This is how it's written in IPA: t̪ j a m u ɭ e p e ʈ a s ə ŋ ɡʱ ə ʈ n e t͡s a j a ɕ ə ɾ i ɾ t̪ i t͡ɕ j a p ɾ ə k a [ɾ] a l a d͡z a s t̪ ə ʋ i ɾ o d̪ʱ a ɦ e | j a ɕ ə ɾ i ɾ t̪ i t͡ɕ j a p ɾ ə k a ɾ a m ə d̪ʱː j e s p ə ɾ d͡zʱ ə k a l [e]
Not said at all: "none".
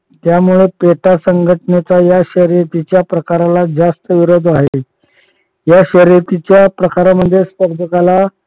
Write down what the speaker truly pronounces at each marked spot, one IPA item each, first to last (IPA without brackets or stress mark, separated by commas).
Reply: ɾ, a